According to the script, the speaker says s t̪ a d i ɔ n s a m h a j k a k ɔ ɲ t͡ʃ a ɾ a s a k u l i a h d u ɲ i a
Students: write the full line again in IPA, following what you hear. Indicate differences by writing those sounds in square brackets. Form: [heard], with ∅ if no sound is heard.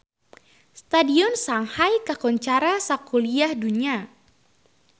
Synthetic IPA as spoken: s t̪ a d i ɔ n s a [ŋ] h a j k a k ɔ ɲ t͡ʃ a ɾ a s a k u l i a h d u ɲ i a